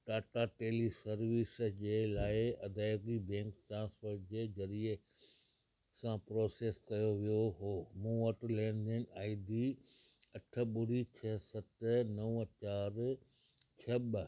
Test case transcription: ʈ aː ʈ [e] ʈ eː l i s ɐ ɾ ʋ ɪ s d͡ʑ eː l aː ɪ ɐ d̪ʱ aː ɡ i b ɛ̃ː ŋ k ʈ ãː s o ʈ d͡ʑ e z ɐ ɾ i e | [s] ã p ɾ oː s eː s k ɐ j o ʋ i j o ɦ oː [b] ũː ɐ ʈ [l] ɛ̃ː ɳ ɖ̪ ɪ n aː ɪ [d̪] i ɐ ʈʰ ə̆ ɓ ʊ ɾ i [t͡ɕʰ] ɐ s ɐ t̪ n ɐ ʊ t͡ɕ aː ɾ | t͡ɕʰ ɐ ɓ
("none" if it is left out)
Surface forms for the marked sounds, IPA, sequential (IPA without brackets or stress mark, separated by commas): a, s, m, l, d̪, t͡ɕʰ